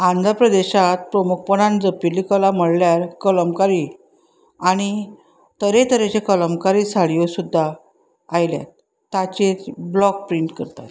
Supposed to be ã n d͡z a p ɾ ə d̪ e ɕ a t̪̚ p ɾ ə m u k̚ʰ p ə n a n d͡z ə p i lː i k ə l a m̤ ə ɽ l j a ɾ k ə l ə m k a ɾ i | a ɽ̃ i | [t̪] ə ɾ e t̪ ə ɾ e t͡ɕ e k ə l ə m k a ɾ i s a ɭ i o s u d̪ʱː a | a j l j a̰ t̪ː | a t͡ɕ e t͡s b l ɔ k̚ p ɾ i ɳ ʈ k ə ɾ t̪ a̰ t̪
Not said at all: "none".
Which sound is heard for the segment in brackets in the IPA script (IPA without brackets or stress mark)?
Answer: t̪